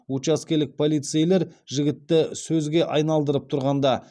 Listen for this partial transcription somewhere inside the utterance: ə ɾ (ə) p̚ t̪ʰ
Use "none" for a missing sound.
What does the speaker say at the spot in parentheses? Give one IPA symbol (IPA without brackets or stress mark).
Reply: ə